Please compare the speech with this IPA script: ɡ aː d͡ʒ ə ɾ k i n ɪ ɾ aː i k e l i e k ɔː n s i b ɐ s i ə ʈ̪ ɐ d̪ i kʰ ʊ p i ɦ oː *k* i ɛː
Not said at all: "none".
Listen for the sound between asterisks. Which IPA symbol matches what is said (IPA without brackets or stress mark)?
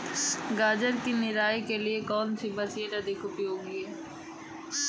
ɡ